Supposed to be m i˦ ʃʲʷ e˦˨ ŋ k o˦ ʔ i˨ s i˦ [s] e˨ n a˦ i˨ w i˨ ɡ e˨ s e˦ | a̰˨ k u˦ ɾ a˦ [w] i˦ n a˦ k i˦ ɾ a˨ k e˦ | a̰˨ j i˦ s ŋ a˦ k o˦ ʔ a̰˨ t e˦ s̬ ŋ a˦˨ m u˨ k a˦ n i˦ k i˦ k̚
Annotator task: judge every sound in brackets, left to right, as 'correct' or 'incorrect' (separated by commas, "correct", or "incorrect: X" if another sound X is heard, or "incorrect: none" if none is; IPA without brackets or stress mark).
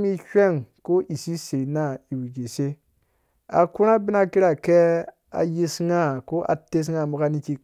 correct, incorrect: b